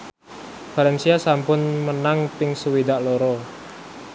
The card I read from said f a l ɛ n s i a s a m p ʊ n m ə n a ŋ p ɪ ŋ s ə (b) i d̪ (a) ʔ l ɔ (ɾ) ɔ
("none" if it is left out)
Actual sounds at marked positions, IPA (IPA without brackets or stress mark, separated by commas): w, a, ɾ